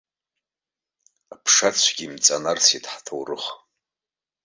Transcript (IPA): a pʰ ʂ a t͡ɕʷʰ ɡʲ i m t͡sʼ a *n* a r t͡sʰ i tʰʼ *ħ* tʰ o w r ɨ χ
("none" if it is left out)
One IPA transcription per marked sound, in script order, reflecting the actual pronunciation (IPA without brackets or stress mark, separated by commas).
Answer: n, ħ